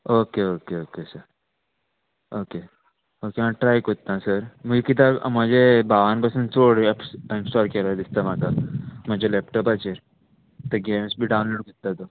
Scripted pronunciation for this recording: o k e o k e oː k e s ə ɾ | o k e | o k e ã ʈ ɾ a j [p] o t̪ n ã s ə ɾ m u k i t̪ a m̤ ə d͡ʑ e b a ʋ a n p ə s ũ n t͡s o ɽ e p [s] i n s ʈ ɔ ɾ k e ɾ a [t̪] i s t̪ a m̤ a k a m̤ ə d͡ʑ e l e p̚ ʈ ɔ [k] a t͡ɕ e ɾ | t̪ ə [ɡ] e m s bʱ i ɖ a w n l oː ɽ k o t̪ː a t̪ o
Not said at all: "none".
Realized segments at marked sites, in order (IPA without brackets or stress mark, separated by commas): k, s, d̪, p, ɡ